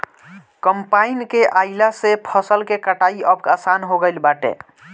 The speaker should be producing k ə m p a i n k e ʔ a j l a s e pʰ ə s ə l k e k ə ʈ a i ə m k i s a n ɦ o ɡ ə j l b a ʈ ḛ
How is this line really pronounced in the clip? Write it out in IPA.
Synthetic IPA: k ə m p a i n k e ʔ a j l a s e pʰ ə s ə l k e k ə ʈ a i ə b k a s a n ɦ o ɡ ə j l b a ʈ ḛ